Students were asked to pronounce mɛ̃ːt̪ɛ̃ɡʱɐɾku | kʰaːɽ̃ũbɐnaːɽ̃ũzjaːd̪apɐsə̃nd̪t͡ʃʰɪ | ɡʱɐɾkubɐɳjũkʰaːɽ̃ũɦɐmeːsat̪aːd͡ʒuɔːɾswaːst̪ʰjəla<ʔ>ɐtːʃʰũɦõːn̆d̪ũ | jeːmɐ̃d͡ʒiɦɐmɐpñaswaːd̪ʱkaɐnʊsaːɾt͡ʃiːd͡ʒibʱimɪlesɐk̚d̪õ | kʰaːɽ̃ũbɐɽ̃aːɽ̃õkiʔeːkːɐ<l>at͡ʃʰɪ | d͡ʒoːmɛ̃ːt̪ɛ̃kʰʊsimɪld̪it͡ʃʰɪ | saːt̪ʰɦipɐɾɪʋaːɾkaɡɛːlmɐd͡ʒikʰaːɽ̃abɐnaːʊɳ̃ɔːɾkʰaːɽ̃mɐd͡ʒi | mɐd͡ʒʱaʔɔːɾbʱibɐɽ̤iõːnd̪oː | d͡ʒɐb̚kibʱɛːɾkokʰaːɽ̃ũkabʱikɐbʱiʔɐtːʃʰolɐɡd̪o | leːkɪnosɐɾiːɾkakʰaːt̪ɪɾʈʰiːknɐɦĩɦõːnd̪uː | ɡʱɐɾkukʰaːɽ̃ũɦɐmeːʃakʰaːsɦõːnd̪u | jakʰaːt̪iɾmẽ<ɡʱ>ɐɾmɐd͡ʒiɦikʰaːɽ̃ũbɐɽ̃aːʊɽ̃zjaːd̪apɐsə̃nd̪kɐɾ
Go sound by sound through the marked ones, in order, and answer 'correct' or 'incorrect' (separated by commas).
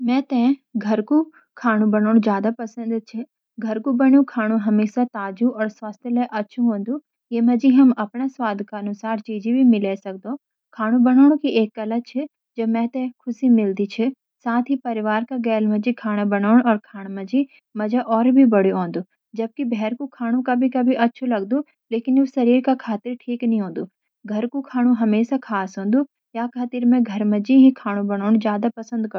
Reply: correct, correct, correct